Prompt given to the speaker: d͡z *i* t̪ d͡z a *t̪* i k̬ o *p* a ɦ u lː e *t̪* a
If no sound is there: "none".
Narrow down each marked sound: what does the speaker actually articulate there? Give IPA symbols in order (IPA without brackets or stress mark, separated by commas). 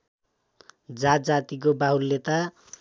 a, t̪, b, t̪